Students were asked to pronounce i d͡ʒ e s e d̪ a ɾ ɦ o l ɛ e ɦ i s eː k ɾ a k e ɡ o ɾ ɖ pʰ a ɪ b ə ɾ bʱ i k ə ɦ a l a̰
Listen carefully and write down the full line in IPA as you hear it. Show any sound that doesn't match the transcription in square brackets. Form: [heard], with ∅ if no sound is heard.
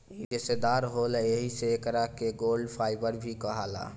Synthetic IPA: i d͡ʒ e s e d̪ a ɾ ɦ o l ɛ e ɦ i s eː k ɾ a k e ɡ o [l] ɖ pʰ a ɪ b ə ɾ bʱ i k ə ɦ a l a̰